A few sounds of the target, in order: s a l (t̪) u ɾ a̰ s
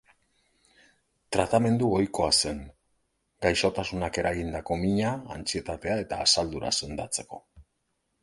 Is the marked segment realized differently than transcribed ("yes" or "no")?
yes